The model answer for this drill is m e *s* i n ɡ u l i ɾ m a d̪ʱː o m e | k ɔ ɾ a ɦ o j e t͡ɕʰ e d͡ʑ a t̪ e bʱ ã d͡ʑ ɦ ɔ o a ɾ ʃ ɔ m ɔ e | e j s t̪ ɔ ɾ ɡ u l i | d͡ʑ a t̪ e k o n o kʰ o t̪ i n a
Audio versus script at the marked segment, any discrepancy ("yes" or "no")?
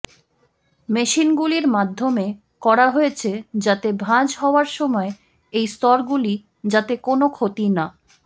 yes